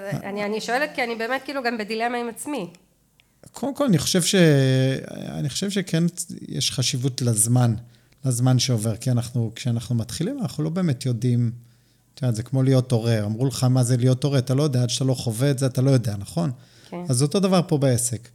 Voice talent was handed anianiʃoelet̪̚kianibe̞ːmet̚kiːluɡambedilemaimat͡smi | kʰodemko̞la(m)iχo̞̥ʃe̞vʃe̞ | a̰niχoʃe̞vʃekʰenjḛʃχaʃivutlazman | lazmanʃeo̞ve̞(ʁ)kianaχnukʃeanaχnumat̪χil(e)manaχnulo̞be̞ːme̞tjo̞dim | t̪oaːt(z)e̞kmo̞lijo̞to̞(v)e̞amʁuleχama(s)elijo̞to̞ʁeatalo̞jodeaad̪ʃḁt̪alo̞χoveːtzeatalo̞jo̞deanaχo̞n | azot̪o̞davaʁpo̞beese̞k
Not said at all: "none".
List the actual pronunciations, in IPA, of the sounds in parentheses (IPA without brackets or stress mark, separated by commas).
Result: n, ʁ, i, z, ʁ, z